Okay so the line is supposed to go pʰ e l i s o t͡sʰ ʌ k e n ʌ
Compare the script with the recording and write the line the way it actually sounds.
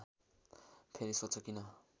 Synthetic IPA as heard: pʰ e ɾ i s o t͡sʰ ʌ k i n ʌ

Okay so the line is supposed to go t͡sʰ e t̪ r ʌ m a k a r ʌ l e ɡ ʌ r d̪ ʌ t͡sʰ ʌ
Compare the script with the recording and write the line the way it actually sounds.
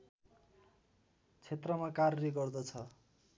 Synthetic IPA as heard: t͡sʰ e t̪ r ʌ m a k a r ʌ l e ɡ ʌ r d̪ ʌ t͡sʰ ʌ

